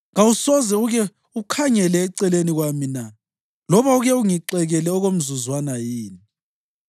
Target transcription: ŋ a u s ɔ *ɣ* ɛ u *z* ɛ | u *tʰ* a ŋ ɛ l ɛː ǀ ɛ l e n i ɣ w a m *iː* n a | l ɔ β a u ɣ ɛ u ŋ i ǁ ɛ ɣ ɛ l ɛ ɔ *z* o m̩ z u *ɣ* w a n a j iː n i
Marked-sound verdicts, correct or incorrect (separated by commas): incorrect, incorrect, incorrect, incorrect, incorrect, incorrect